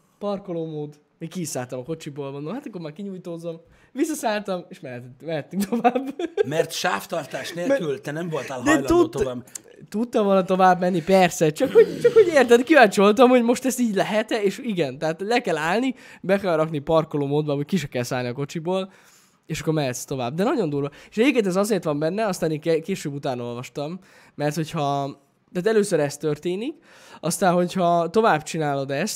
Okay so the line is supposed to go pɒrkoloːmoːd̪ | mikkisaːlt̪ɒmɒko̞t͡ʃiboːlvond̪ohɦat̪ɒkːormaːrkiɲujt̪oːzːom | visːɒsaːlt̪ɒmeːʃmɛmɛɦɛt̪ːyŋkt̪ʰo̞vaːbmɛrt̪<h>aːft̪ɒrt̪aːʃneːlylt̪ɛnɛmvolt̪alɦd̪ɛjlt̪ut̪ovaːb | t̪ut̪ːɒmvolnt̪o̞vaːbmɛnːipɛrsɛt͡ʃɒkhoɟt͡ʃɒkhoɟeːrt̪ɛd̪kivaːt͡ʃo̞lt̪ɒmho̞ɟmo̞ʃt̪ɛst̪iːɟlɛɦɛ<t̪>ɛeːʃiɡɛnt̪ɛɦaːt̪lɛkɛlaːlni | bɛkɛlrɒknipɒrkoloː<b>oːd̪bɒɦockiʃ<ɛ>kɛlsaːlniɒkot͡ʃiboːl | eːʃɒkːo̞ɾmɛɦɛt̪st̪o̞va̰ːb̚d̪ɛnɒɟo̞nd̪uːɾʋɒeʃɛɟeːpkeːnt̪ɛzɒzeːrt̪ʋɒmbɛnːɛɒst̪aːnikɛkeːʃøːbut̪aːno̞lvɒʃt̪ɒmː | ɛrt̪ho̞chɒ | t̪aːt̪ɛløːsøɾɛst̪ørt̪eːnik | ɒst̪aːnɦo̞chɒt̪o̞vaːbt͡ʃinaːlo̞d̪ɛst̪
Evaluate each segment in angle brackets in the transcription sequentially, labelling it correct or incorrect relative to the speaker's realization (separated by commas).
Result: incorrect, correct, incorrect, correct